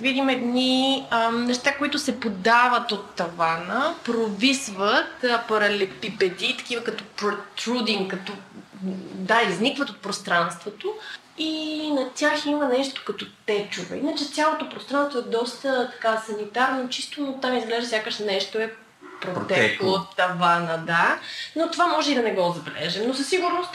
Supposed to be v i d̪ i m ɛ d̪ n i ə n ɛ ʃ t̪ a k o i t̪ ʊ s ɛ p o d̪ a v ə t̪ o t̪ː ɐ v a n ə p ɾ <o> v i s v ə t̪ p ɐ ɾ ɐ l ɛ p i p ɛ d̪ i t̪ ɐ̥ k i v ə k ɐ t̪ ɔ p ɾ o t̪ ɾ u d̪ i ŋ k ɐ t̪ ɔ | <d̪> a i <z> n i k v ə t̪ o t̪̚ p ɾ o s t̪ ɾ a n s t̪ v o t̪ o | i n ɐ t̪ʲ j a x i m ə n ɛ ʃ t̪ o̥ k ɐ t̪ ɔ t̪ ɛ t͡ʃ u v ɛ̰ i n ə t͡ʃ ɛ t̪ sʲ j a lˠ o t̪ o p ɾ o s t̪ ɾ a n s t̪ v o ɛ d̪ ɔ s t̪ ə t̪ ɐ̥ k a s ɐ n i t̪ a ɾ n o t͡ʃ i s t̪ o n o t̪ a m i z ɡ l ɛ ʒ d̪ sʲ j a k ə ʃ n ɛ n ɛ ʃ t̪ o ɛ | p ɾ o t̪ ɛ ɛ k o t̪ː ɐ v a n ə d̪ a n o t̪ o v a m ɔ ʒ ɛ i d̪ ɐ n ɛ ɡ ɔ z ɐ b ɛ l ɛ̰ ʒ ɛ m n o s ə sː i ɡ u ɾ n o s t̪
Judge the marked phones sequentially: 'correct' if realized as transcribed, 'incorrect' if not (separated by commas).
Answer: correct, correct, correct